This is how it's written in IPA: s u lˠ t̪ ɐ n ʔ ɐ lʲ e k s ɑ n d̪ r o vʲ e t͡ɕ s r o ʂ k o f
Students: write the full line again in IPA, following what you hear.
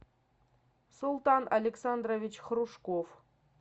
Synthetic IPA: s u lˠ t̪ ɑ n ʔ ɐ lʲ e k s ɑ n d̪ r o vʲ i t͡ɕ χ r u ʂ k o f

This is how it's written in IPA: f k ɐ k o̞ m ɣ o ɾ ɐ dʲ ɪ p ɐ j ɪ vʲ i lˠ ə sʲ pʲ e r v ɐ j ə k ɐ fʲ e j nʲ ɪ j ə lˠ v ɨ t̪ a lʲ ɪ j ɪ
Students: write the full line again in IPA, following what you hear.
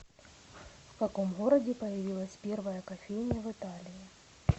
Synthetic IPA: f k ɐ k o̞ m ɣ o ɾ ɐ dʲ ɪ p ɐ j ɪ vʲ i lˠ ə sʲ pʲ e r v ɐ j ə k ɐ fʲ e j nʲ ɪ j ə v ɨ t̪ a lʲ ɪ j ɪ

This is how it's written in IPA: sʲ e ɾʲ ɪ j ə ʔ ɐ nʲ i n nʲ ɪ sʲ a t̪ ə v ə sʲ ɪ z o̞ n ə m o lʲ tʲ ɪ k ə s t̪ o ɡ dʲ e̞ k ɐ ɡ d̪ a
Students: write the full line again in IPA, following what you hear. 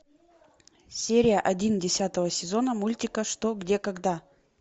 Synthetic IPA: sʲ e ɾʲ ɪ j ə ʔ ɐ dʲ i n dʲ ɪ sʲ a t̪ ə v ə sʲ ɪ z o̞ n ə m u lʲ tʲ ɪ k ə ʂ t̪ o ɡ dʲ e̞ k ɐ ɡ d̪ a

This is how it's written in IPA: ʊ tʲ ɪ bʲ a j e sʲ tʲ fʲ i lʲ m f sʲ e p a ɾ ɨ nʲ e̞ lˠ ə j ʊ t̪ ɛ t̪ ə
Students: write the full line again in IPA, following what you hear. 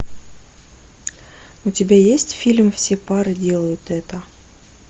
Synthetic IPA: ʊ tʲ ɪ bʲ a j e sʲ tʲ fʲ i lʲ m f sʲ e p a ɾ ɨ dʲ e̞ lˠ ə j ʊ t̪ ɛ t̪ ə

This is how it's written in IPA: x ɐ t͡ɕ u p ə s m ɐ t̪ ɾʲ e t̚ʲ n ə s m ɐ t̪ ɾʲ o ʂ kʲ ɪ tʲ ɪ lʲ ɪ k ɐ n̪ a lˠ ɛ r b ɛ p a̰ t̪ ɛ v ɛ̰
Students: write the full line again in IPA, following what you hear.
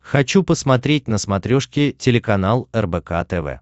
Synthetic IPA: x ɐ t͡ɕ u p ə s m ɐ t̪ ɾʲ e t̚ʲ n ə s m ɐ t̪ ɾʲ o ʂ kʲ ɪ tʲ ɪ lʲ ɪ k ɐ n̪ a lˠ ɛ r b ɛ k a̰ t̪ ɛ v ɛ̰

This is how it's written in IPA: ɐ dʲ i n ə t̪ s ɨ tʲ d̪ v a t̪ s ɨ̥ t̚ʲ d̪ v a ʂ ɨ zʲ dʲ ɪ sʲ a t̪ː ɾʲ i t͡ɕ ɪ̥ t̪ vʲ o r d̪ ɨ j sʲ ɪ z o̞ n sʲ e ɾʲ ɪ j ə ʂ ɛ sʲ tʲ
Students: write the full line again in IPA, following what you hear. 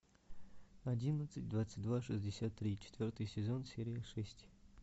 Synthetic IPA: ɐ dʲ i n ə t̪ s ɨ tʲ d̪ v a t̪ s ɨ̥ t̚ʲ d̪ v a ʂ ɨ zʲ dʲ ɪ sʲ a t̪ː ɾʲ i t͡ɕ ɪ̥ t̪ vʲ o r t̪ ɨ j sʲ ɪ z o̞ n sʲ e ɾʲ ɪ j ə ʂ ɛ sʲ tʲ

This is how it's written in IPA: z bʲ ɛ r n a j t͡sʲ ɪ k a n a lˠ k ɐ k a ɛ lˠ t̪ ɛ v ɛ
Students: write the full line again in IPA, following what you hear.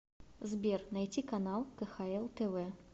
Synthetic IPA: z bʲ ɛ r n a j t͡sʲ i k a n a lˠ k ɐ x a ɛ lˠ t̪ ɛ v ɛ

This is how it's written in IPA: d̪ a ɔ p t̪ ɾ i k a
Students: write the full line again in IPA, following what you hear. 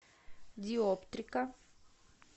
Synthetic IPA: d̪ i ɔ p t̪ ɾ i k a

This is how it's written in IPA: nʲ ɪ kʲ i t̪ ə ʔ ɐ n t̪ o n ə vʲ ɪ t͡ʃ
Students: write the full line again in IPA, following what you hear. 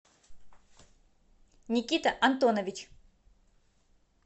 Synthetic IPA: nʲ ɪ kʲ i t̪ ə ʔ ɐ n t̪ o n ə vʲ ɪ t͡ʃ

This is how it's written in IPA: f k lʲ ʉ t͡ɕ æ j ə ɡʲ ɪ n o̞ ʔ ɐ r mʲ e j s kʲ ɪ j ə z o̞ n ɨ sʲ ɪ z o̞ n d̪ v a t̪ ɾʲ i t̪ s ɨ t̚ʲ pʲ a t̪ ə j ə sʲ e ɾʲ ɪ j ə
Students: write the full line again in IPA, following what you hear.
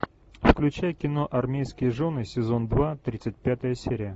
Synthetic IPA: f k lʲ ʉ t͡ɕ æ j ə kʲ ɪ n o̞ ʔ ɐ r mʲ e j s kʲ ɪ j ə ʐ o̞ n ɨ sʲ ɪ z o̞ n d̪ v a t̪ ɾʲ i t̪ s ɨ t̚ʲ pʲ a t̪ ə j ə sʲ e ɾʲ ɪ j ə

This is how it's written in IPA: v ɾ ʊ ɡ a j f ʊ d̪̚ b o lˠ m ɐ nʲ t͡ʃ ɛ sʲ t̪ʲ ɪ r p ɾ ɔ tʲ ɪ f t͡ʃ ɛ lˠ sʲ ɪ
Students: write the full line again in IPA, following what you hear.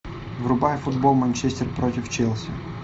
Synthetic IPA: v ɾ ʊ b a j f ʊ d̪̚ b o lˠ m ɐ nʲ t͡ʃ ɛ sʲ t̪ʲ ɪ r p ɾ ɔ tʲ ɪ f t͡ʃ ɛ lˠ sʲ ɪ

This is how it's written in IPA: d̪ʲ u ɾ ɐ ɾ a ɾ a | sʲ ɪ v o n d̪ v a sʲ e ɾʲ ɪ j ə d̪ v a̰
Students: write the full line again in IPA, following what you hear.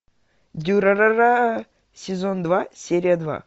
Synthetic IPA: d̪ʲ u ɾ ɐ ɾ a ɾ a | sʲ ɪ z o n d̪ v a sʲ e ɾʲ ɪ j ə d̪ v a̰

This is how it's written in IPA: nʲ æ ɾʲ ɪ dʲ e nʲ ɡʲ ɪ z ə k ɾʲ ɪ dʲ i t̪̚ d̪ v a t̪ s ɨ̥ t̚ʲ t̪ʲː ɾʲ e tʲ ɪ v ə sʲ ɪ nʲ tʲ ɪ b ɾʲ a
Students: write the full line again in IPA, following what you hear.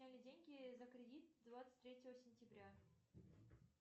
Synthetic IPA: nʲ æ lʲ ɪ dʲ e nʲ ɡʲ ɪ z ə k ɾʲ ɪ dʲ i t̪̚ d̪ v a t̪ s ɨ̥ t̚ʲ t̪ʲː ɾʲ e tʲ ɪ v ə sʲ ɪ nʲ tʲ ɪ b ɾʲ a

